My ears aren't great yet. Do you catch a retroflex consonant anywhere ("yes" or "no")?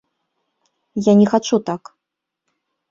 yes